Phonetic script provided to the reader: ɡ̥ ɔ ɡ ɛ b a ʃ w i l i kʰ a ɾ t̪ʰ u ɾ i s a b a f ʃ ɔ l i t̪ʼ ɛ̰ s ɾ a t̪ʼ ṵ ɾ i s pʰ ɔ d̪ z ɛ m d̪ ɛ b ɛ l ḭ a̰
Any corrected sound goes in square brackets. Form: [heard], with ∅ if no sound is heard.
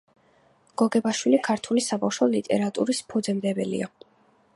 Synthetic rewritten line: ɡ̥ ɔ ɡ ɛ b a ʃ w i l i kʰ a ɾ t̪ʰ u [l] i s a b a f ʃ ɔ l i t̪ʼ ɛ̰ [∅] ɾ a t̪ʼ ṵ ɾ i s pʰ ɔ d̪ z ɛ m d̪ ɛ b ɛ l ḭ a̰